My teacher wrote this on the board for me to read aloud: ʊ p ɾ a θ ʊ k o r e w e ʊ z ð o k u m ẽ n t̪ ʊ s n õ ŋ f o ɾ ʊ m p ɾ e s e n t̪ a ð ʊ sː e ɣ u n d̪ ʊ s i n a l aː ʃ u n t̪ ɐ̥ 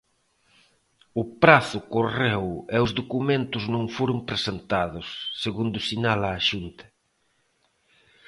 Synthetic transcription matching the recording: ʊ p ɾ a θ ʊ k o r e w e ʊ z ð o k u m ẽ n t̪ ʊ z n õ ŋ f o ɾ ʊ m p ɾ e s e n t̪ a ð ʊ sː e ɣ u n d̪ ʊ s i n a l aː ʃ u n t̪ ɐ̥